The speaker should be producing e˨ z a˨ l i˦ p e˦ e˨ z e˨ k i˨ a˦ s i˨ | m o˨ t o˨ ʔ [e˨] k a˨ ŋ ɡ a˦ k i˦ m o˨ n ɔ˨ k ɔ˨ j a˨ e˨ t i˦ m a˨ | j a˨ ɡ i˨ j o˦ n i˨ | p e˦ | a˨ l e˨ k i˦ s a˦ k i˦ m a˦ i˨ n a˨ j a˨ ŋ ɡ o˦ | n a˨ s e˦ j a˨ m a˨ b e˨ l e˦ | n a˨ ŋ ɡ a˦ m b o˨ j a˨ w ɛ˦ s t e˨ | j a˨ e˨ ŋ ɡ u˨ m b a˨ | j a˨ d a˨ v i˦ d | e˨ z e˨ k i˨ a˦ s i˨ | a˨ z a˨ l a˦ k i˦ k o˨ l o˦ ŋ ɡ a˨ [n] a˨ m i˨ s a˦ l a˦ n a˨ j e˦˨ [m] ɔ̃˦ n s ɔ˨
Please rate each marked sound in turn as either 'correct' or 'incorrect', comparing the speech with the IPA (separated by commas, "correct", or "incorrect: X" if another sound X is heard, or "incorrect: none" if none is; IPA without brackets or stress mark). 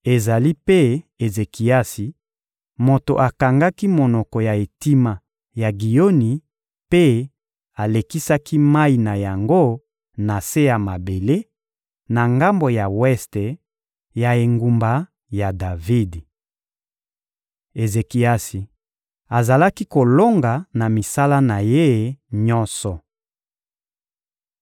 incorrect: a˨, correct, incorrect: ɲ